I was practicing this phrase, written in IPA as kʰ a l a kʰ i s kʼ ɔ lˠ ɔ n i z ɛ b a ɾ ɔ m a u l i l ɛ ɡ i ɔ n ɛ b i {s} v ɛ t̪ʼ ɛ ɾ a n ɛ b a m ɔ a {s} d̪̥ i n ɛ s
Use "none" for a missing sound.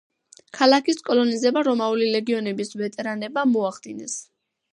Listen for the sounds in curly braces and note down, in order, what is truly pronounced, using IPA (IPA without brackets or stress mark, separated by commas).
s, χ